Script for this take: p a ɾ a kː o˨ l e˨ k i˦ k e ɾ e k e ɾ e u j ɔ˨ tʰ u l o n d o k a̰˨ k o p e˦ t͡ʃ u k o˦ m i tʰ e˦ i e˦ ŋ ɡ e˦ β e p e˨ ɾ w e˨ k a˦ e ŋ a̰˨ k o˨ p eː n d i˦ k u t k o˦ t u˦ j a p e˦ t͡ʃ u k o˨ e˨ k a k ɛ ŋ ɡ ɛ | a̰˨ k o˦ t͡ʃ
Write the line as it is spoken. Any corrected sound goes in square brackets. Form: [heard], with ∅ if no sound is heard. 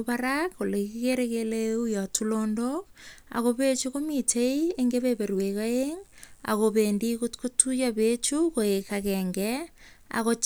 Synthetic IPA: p a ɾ a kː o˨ l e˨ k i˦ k e ɾ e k e [l] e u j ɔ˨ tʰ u l o n d o k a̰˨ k o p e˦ t͡ʃ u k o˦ m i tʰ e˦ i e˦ ŋ ɡ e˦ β e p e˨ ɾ w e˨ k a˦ e ŋ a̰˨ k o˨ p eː n d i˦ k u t k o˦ t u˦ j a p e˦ t͡ʃ u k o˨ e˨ k a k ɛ ŋ ɡ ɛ | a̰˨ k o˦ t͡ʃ

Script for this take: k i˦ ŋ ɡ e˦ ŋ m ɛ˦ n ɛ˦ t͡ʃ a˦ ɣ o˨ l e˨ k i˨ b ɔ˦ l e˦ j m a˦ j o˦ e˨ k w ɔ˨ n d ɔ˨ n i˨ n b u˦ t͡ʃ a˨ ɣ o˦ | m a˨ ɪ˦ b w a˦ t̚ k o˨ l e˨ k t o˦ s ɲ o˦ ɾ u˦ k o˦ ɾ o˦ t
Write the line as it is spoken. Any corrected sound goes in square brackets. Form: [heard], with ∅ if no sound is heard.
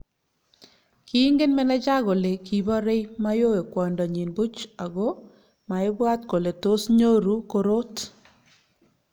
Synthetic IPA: k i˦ ŋ ɡ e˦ [n] m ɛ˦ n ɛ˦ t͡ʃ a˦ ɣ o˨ l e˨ k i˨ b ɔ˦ [ɾ] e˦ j m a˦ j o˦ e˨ k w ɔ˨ n d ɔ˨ [ɲ] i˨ n b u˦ t͡ʃ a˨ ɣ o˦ | m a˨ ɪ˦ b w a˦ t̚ k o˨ l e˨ [∅] t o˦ s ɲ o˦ ɾ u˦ k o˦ ɾ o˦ t

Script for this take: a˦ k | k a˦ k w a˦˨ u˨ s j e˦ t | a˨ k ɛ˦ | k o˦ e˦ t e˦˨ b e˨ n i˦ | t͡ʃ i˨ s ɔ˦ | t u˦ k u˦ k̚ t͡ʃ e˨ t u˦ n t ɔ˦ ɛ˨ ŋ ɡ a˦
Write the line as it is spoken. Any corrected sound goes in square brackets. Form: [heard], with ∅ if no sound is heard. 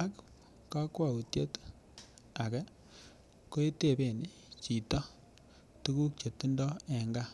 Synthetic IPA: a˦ k | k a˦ k w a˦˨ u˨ [t] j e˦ t | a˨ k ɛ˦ | k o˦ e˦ t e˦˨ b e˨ n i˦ | t͡ʃ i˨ [t] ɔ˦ | t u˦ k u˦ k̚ t͡ʃ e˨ t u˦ n [d] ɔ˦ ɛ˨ ŋ ɡ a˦

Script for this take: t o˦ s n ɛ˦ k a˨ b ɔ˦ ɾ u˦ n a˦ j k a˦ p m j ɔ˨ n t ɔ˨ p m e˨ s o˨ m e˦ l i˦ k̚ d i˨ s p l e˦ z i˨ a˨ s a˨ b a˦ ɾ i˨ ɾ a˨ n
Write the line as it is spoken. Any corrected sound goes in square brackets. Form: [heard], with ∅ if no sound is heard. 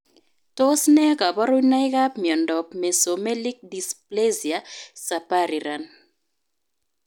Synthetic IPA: t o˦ s n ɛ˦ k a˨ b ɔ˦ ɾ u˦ n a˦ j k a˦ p m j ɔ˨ n [d] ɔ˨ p m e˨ s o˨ m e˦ l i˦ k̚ d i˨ s p l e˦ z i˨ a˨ s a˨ [p] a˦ ɾ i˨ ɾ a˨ n

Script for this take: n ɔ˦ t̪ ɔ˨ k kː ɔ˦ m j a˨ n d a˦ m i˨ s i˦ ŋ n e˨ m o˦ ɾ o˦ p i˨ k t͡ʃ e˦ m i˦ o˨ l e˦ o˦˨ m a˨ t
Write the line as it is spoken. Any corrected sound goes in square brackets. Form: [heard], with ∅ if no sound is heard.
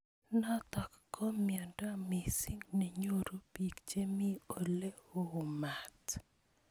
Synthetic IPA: n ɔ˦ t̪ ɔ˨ k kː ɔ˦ m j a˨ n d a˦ m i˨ s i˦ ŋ n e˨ [ɲ] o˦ ɾ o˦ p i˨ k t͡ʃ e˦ m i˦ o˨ l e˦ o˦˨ m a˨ t

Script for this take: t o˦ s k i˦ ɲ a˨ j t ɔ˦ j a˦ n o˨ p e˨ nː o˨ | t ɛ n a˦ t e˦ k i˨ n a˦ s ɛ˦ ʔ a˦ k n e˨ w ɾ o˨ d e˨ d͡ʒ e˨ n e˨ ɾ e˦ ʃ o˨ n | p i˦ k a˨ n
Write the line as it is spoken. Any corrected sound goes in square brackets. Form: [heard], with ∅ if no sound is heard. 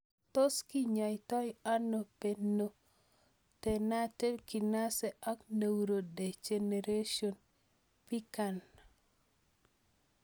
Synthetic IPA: t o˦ s k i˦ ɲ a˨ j t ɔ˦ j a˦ n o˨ p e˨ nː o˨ | t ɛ n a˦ t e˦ k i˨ n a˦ s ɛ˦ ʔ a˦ k n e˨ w ɾ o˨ d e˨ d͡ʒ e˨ n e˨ ɾ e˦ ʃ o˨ n | p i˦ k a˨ n

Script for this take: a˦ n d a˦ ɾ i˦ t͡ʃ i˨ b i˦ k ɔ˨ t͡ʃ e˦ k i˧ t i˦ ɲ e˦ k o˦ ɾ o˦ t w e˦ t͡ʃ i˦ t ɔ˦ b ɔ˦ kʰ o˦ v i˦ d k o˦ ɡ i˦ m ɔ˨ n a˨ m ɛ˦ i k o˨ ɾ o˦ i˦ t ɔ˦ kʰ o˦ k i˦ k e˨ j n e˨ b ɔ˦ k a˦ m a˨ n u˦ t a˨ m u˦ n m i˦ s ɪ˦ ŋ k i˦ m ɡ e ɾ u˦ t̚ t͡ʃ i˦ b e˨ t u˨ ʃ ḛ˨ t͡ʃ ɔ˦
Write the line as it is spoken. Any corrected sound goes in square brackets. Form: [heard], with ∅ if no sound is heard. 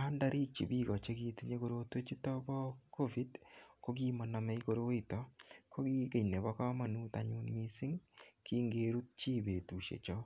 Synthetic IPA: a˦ n d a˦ ɾ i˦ t͡ʃ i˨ b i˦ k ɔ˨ t͡ʃ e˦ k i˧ t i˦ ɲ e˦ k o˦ ɾ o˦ t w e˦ t͡ʃ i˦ t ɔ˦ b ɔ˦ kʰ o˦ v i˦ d k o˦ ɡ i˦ m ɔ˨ n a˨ m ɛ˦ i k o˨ ɾ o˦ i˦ t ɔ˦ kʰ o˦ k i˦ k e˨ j n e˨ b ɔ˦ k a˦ m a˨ n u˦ t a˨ [ɲ] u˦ n m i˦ s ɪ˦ ŋ k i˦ [ŋ] ɡ e ɾ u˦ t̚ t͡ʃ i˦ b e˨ t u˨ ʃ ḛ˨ t͡ʃ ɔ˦

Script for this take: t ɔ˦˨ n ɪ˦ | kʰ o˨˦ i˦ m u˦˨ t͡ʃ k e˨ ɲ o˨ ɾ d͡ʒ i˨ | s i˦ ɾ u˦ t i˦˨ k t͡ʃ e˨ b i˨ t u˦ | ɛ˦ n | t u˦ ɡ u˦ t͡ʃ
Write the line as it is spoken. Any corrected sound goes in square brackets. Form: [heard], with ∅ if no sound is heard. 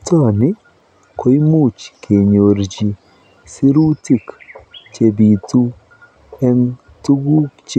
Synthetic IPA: t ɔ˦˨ n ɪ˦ | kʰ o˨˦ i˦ m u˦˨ t͡ʃ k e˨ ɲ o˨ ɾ d͡ʒ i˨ | s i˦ ɾ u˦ t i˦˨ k t͡ʃ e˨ b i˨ t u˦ | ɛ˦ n | t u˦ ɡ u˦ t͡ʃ

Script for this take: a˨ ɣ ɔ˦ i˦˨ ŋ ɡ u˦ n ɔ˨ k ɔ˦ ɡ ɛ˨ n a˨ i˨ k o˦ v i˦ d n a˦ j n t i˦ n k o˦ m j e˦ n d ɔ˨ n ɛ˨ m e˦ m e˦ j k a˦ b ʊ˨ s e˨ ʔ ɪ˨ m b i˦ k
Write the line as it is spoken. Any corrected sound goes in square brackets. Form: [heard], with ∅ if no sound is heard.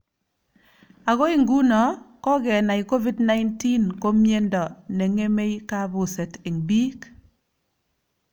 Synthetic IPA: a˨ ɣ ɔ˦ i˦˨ ŋ ɡ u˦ n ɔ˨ k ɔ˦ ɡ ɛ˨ n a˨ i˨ k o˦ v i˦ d n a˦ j n t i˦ n k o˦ m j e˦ n d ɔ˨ n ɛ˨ [ŋ] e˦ m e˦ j k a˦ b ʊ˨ s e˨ [t] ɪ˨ [ŋ] b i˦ k

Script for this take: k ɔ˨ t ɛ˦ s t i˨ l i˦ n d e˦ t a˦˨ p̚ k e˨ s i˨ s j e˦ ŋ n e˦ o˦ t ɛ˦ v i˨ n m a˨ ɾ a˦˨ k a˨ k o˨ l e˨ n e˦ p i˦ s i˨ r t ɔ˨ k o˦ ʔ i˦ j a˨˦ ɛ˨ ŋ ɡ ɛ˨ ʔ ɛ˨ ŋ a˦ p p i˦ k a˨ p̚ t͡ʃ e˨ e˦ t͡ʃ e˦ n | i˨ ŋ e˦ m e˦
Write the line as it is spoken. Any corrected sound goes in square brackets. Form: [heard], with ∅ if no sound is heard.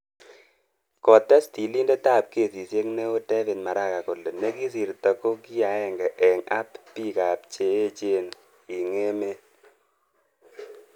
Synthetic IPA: k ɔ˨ t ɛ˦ s t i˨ l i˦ n d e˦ t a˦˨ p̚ k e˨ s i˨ s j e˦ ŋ n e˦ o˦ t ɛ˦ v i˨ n m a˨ ɾ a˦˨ k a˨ k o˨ l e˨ n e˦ [k] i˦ s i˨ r t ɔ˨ k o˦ [k] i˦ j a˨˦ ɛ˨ ŋ ɡ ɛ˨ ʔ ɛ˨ ŋ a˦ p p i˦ k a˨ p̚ t͡ʃ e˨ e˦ t͡ʃ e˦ n | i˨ ŋ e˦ m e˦

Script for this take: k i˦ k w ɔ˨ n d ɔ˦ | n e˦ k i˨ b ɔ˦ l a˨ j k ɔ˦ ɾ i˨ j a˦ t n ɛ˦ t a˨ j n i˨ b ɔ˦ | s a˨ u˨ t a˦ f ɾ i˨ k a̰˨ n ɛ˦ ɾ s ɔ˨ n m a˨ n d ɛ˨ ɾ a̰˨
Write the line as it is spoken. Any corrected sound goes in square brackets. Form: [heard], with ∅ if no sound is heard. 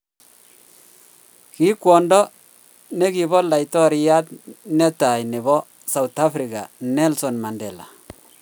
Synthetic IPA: k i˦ k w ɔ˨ n d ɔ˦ | n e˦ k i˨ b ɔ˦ l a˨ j [t] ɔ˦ ɾ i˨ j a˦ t n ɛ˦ t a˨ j n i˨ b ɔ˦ | s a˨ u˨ t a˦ f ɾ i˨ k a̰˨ n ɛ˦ [l] s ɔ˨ n m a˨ n d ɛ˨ [l] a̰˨

